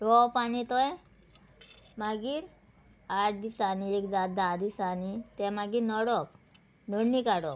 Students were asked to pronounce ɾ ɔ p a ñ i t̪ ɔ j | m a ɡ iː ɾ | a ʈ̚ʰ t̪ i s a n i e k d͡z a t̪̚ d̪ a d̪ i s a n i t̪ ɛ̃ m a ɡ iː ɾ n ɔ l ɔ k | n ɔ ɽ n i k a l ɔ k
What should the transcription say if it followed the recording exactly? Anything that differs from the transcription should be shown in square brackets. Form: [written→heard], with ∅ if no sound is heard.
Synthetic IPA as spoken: ɾ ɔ p a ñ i t̪ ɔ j | m a ɡ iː ɾ | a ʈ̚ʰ [t̪→d̪] i s a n i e k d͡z a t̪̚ d̪ a d̪ i s a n i t̪ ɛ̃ m a ɡ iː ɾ n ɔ [l→ɽ] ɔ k | n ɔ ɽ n i k a [l→ɽ] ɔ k